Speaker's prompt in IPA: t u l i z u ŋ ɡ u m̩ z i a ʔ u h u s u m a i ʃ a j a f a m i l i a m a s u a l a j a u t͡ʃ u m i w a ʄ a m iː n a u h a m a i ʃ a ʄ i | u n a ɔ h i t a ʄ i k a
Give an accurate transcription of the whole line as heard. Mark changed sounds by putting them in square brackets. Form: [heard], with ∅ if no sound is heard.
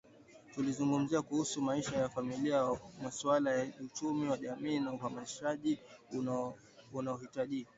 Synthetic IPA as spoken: t u l i z u ŋ ɡ u m̩ z i a [k] u h u s u m a i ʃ a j a f a m i l i a m a s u a l a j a u t͡ʃ u m i w a ʄ a m iː n a u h a m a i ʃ a ʄ i | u n a ɔ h i t a ʄ i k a

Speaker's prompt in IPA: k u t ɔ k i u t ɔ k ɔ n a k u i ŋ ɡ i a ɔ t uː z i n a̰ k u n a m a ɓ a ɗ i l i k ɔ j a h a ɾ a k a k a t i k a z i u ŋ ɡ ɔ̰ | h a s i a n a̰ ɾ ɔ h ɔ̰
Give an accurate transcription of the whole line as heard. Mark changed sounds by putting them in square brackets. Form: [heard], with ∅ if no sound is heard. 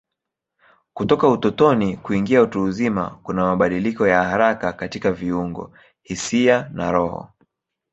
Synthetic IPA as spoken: k u t ɔ k [a] u t ɔ [t] ɔ n [i] k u i ŋ ɡ i a [u] t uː z i [m] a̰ k u n a m a ɓ a ɗ i l i k ɔ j a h a ɾ a k a k a t i k a [v] i u ŋ ɡ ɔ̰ | h [i] s i a n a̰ ɾ ɔ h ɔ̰

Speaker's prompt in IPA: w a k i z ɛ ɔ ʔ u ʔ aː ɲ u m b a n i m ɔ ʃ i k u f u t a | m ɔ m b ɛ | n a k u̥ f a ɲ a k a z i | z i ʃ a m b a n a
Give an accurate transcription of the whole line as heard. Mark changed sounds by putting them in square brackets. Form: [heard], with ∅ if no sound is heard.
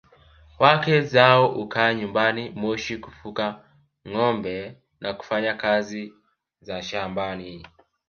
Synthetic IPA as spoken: w a k [ɛ] z [a] ɔ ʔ u [k] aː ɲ u m b a n i m ɔ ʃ i k u f u [k] a | [ŋ] ɔ m b ɛ | n a k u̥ f a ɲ a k a z i | z [a] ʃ a m b a n [i]

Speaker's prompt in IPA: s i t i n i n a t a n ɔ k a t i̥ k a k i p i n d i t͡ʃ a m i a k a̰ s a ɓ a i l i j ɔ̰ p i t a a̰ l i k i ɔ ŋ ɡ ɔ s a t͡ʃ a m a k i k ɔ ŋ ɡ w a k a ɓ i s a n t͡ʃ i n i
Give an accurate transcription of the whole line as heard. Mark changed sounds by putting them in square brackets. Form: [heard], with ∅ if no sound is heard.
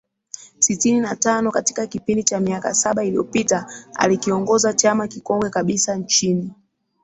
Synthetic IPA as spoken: s i t i n i n a t a n ɔ k a t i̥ k a k i p i n d i t͡ʃ a m i a k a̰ s a ɓ a i l i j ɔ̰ p i t a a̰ l i k i ɔ ŋ ɡ ɔ [z] a t͡ʃ a m a k i k ɔ ŋ ɡ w [ɛ] k a ɓ i s a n t͡ʃ i n i

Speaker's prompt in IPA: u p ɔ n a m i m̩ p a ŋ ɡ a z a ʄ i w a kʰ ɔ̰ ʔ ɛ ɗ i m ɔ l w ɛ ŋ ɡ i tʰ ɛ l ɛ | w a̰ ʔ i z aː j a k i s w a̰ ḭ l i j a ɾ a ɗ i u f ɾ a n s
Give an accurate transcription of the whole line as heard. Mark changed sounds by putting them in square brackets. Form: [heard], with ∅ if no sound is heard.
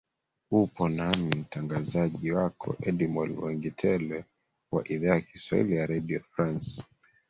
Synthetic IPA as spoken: u p ɔ n a m i m̩ [t] a ŋ ɡ a z a ʄ i w a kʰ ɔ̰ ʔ ɛ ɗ i m ɔ l w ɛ ŋ ɡ i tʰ ɛ l ɛ | w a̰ ʔ i [ð] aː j a k i s w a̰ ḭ l i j a ɾ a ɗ i [ɔ] f ɾ a n s

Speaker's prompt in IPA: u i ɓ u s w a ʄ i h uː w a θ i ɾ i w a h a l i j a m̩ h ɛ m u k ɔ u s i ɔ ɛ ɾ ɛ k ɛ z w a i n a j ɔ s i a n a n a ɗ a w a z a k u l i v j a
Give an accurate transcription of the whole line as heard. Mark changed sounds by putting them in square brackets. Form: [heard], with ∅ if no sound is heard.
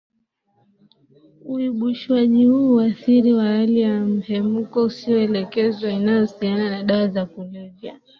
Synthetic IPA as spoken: u i ɓ u [ʃ] w a ʄ i h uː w a θ i ɾ i w a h a l i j a m̩ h ɛ m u k ɔ u s i ɔ ɛ [l] ɛ k ɛ z w a i n a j ɔ s i a n a n a ɗ a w a z a k u l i v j a

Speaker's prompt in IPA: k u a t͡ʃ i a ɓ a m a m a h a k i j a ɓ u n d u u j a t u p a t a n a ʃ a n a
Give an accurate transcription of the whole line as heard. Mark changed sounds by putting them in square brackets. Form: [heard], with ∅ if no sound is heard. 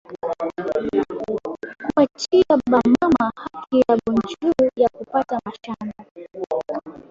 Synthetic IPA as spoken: k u a t͡ʃ i a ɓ a m a m a h a k i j a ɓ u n [d͡ʒ] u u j a [k] u p a t a [m] a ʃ a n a

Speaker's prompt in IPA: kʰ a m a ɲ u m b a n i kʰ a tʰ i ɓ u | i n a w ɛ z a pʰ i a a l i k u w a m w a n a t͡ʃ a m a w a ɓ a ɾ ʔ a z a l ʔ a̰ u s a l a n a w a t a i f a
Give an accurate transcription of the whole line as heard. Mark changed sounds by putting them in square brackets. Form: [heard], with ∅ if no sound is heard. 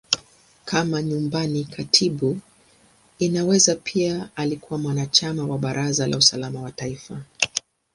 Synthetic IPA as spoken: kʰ a m a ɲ u m b a n i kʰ a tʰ i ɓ u | i n a w ɛ z a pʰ i a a l i k u w a m w a n a t͡ʃ a m a w a ɓ a ɾ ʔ a z a l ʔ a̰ u s a l a [m] a w a t a i f a

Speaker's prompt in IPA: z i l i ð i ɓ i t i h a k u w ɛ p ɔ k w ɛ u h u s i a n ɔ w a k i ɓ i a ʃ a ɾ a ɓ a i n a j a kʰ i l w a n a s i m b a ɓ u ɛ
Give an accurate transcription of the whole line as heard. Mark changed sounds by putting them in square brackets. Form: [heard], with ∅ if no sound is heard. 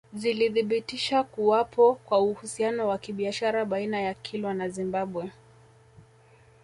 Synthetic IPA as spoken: z i l i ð i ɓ i t i [ʃ] a k u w [a] p ɔ k w [a] u h u s i a n ɔ w a k i ɓ i a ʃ a ɾ a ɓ a i n a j a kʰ i l w a n a [z] i m b a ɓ [w] ɛ

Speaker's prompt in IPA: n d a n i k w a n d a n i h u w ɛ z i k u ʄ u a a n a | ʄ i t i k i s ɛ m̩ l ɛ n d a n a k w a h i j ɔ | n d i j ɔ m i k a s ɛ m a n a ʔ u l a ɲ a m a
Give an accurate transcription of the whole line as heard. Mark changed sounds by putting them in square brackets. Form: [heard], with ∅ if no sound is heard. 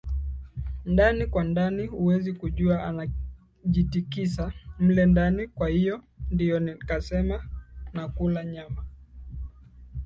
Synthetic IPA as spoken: n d a n i k w a n d a n i h u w ɛ z i k u ʄ u a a n a | ʄ i t i k i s [a] m̩ l ɛ n d a n [i] k w a h i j ɔ | n d i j ɔ [n] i k a s ɛ m a n a [k] u l a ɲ a m a

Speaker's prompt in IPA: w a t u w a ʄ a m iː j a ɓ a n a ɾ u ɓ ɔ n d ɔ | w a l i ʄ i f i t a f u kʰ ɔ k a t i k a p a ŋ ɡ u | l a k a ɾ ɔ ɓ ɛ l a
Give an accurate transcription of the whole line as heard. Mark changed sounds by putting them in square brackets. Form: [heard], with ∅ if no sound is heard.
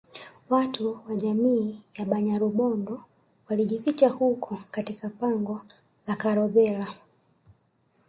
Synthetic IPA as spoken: w a t u w a ʄ a m iː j a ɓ a [ɲ] a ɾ u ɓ ɔ n d ɔ | w a l i ʄ i f i [t͡ʃ] a [h] u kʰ ɔ k a t i k a p a ŋ ɡ [ɔ] | l a k a ɾ ɔ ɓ ɛ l a

